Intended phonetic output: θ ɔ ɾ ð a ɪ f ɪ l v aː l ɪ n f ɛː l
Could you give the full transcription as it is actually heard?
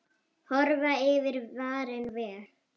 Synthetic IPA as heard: h ɔ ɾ v a ɪ v ɪ ɾ v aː ɾ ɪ n v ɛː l